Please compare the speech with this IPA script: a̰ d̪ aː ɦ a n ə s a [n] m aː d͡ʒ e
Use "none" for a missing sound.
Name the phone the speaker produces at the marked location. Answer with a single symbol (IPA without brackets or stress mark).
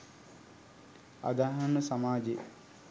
none